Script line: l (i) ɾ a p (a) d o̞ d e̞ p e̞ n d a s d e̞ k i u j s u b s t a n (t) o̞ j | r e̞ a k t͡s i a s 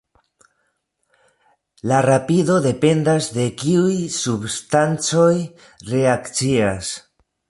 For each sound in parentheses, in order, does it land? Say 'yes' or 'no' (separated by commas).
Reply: no, no, no